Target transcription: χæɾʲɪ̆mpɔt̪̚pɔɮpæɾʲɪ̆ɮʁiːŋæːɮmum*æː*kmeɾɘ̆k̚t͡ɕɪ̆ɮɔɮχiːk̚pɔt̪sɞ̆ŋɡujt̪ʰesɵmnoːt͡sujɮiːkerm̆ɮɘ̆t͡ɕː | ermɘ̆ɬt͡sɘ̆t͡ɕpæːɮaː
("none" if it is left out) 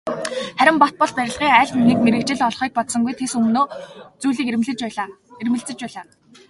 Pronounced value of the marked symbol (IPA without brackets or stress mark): iː